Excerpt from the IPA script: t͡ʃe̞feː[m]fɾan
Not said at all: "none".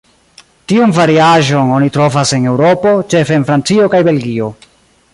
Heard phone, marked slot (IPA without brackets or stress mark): n